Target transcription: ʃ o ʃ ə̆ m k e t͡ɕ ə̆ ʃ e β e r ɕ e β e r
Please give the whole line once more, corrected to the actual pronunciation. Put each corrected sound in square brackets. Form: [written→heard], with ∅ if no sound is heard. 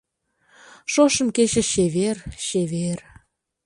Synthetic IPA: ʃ o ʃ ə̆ m k e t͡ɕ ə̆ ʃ e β e r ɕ e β e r